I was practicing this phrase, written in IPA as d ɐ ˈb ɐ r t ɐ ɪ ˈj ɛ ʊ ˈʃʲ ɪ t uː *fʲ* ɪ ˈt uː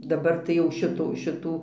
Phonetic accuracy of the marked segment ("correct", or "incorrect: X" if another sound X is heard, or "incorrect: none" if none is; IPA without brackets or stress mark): incorrect: ʃʲ